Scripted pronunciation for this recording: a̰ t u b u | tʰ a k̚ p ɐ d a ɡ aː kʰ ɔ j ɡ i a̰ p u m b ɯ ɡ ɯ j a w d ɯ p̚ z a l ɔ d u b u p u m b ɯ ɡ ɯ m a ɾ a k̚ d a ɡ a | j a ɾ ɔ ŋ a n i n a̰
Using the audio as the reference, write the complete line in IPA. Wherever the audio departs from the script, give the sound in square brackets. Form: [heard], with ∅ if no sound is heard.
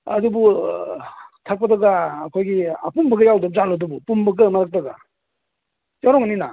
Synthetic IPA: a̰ [d] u b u | tʰ a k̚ p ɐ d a ɡ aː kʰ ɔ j ɡ i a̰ p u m b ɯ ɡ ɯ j a w d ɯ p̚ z a l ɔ d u b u p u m b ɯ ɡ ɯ m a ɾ a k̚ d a ɡ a | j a ɾ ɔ ŋ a n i n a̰